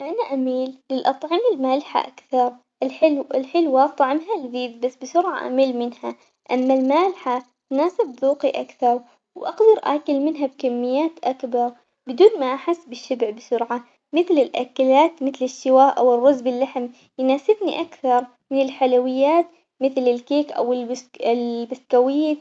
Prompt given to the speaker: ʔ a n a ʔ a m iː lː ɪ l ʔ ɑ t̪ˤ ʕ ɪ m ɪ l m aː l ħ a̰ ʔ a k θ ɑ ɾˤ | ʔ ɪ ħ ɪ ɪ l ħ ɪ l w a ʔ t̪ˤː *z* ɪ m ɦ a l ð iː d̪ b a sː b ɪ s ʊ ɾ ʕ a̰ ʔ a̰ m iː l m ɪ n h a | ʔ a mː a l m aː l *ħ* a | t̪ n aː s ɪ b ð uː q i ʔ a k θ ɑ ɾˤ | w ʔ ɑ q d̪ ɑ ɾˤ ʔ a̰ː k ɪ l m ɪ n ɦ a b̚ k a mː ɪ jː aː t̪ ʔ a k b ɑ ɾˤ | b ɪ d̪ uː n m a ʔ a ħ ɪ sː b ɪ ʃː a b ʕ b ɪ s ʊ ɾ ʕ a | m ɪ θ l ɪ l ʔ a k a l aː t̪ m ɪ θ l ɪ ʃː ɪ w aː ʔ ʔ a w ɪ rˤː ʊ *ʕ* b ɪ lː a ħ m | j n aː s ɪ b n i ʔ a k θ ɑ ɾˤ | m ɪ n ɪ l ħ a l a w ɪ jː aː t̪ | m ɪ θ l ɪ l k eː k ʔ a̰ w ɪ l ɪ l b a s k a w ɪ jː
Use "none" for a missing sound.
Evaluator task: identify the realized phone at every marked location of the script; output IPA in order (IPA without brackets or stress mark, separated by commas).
ʕ, ħ, z